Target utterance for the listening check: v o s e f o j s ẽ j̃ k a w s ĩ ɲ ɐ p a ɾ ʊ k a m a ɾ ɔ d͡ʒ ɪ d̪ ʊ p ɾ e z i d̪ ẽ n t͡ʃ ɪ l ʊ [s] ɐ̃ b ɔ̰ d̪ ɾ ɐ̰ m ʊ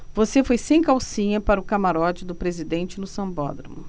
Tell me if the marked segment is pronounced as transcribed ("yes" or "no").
yes